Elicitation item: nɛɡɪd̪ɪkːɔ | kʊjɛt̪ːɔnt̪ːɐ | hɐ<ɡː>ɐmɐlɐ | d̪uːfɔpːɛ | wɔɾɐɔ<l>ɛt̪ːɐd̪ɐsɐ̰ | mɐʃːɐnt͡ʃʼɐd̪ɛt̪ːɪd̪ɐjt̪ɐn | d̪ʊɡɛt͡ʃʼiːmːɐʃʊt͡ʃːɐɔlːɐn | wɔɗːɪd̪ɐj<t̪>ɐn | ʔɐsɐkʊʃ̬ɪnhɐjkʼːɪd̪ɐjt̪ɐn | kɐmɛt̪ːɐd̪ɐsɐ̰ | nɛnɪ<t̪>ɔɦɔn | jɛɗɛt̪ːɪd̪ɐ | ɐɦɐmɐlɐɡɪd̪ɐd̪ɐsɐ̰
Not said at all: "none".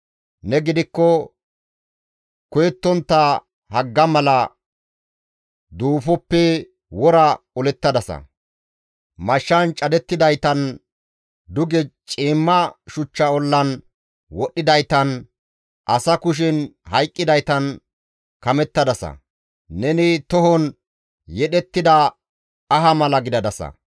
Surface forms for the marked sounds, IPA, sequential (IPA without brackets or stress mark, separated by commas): ɡː, l, t̪, t̪